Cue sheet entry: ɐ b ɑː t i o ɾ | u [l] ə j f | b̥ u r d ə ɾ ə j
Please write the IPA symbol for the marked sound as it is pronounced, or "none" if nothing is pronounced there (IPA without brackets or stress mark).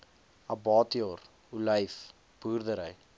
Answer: l